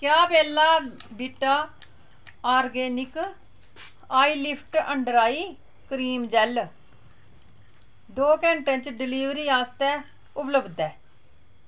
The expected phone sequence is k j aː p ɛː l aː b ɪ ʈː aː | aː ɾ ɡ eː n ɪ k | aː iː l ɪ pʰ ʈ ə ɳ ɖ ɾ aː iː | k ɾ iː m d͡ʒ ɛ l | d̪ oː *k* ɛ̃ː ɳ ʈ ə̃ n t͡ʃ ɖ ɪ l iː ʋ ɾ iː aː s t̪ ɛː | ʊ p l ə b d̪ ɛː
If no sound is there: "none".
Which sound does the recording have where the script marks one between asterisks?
k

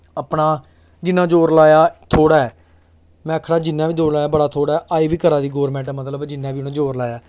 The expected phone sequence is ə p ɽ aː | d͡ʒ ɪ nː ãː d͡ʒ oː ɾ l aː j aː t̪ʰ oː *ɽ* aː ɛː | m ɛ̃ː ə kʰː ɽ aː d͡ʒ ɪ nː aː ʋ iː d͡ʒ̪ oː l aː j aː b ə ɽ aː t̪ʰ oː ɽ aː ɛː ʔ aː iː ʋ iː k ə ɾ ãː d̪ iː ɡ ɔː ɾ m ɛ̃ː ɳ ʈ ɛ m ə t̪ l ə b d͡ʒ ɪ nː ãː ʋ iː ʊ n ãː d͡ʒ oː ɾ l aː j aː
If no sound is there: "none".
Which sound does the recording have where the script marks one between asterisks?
ɽ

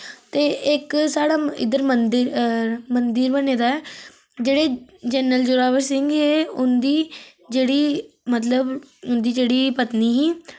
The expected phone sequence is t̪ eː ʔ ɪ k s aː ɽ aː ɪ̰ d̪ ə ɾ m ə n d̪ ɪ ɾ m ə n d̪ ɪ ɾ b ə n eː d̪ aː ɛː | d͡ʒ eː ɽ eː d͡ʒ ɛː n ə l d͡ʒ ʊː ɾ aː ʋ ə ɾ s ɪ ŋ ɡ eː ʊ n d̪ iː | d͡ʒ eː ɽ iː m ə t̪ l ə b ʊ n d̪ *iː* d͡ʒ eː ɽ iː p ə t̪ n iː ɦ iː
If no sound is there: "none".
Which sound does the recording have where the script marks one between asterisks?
iː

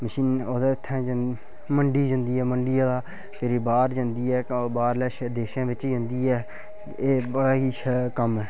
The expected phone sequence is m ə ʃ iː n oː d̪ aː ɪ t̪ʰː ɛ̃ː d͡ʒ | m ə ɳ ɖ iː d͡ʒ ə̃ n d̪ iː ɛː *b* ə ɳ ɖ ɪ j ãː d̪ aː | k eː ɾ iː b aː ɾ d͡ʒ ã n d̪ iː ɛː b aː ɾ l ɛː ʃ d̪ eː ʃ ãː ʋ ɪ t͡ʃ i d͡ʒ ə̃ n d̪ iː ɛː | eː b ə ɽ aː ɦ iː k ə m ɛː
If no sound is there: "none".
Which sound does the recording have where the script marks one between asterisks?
m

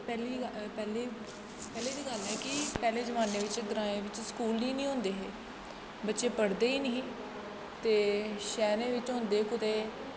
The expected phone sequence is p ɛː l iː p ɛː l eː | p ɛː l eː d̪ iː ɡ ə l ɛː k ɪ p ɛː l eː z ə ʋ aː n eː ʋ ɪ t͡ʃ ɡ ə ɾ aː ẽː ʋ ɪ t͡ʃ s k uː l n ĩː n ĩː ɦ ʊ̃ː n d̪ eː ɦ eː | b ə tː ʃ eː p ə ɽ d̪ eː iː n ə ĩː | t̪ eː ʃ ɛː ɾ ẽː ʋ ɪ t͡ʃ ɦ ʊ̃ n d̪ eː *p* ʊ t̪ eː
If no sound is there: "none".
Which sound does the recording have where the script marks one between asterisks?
k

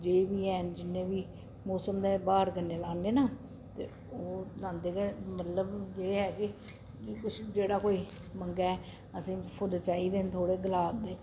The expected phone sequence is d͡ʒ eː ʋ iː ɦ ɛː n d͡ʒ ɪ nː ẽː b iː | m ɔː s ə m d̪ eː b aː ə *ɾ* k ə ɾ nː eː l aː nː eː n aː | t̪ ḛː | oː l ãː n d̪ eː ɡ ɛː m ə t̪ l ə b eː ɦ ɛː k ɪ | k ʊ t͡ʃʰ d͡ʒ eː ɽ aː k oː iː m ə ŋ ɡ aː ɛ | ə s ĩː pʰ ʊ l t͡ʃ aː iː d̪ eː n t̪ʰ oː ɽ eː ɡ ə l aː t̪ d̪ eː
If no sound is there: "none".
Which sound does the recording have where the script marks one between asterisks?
ɾ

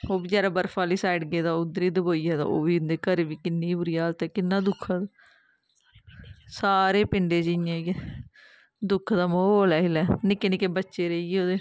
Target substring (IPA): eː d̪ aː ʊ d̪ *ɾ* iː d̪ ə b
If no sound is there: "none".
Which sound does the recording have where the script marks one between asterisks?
ɾ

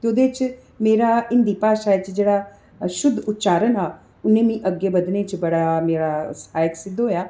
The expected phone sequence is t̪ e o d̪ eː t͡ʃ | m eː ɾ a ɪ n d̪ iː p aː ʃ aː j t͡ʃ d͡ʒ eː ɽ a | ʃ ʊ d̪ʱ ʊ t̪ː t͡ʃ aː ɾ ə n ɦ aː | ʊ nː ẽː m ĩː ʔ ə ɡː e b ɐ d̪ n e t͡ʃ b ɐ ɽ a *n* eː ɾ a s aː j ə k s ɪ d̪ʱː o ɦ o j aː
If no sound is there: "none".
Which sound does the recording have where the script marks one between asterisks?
m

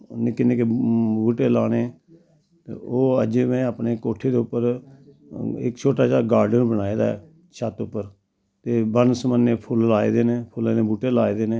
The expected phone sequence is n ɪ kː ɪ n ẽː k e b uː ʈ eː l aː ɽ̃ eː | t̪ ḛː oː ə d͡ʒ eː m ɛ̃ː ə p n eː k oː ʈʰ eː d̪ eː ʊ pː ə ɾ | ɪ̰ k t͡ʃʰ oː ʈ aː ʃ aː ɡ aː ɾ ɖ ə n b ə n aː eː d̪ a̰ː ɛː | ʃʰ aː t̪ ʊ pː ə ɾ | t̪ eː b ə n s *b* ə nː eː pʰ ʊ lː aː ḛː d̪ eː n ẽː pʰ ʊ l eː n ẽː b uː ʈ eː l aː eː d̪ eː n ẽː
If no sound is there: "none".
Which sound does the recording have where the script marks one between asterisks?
m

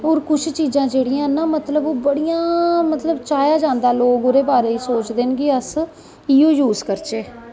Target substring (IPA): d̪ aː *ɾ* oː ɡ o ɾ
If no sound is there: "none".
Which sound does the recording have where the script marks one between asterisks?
l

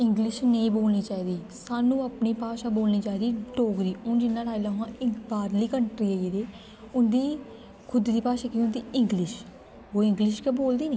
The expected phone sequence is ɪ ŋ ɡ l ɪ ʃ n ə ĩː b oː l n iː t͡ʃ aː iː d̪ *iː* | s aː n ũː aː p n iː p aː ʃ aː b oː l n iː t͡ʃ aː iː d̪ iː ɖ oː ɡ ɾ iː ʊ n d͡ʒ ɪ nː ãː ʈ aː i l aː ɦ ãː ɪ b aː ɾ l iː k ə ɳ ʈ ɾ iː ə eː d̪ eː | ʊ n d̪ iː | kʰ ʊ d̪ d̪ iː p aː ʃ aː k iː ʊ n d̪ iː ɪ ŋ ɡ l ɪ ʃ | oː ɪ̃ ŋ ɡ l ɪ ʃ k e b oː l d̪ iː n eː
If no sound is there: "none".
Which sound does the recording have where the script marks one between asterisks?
iː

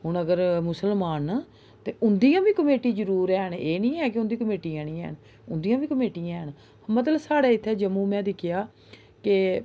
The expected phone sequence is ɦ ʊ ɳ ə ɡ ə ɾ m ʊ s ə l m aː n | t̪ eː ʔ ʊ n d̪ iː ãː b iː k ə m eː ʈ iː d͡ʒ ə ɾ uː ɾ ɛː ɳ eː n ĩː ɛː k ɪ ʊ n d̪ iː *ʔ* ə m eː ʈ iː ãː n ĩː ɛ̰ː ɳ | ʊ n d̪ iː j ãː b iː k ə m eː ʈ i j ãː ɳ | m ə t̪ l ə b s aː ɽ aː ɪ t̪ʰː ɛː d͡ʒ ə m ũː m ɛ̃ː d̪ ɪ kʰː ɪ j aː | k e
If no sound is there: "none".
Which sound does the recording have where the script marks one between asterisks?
k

